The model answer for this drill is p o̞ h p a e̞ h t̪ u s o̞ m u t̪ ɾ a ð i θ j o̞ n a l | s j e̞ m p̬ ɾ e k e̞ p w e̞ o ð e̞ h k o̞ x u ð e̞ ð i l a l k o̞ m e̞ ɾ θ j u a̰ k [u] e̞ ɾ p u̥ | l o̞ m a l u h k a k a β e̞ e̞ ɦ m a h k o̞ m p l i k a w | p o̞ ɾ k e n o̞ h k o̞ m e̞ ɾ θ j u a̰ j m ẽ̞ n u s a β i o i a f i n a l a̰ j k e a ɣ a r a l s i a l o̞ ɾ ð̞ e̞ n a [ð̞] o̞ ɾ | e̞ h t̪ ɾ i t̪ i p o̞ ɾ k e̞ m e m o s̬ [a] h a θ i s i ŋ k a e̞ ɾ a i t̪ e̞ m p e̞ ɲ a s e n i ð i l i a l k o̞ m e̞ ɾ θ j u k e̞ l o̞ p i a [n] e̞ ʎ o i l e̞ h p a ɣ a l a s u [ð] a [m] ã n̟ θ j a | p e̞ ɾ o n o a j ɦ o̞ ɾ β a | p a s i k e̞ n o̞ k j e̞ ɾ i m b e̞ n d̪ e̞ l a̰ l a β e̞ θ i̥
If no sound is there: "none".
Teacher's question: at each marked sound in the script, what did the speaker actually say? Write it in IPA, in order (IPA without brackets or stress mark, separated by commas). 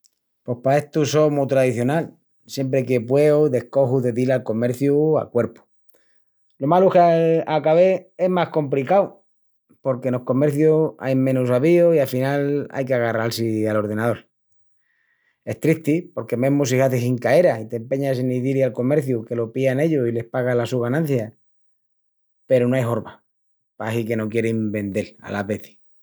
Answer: w, ð̞, i, n, ɣ, n